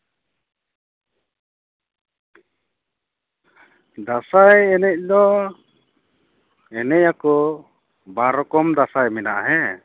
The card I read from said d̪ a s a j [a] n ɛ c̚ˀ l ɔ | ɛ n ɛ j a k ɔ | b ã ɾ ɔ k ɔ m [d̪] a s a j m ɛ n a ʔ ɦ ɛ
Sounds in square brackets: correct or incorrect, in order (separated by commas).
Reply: incorrect, correct